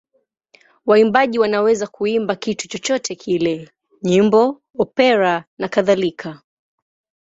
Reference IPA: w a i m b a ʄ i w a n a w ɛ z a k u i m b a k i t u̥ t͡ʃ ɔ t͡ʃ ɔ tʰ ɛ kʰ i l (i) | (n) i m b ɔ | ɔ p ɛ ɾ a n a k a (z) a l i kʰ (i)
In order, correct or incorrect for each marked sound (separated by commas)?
incorrect, incorrect, incorrect, incorrect